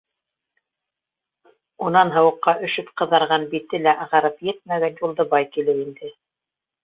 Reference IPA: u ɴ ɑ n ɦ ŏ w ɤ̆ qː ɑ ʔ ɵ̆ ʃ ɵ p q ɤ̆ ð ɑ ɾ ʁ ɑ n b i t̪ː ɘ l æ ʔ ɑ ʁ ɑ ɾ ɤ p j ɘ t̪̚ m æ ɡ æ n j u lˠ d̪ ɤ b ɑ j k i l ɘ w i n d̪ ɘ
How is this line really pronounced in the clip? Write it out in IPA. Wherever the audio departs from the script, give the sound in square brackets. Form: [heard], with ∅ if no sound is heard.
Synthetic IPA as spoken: u [n] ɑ n ɦ [ɤ̆] w ɤ̆ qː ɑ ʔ ɵ̆ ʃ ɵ p q ɤ̆ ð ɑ ɾ ʁ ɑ n b i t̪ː ɘ l æ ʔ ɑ ʁ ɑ ɾ ɤ p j ɘ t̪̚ m æ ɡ æ n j u lˠ d̪ ɤ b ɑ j k i l ɘ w i n d̪ ɘ